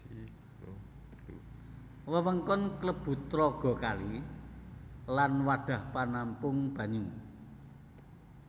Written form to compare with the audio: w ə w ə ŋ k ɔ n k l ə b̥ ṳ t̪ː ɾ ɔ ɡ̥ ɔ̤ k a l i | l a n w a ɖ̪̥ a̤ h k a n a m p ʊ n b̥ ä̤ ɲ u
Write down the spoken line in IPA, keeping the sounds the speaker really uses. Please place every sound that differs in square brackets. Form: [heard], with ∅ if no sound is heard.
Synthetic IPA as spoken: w ə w ə ŋ k ɔ n k l ə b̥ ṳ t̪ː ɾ ɔ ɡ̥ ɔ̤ k a l i | l a n w a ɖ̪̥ a̤ h [p] a n a m p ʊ [ŋ] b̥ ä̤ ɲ u